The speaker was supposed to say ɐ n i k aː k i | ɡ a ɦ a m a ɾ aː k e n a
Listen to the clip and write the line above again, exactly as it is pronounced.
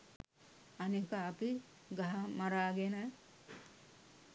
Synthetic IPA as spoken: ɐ n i k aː p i | ɡ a ɦ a m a ɾ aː ɡ e n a